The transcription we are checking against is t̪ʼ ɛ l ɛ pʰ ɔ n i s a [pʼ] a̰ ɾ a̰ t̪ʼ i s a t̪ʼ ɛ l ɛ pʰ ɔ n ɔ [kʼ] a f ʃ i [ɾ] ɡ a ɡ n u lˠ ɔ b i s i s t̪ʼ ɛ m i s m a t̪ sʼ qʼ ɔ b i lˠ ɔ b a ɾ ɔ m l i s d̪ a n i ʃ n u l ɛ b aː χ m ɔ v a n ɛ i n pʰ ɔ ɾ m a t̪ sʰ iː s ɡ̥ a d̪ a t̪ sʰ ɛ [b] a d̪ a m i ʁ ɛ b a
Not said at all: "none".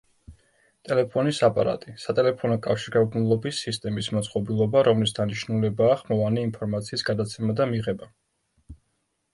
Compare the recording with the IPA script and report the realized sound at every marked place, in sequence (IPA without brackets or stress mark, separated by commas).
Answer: pʼ, kʼ, ɾ, m